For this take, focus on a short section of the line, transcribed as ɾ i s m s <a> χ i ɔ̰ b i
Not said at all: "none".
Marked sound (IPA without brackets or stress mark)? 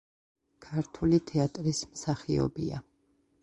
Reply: a